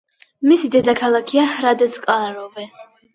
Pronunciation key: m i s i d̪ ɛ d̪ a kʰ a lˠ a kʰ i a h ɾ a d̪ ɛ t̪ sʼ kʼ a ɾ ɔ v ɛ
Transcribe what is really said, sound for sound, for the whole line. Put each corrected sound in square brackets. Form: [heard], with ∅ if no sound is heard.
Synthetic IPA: m i s i d̪ ɛ d̪ a kʰ a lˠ a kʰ i a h ɾ a d̪ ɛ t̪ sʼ kʼ a ɾ ɔ v ɛ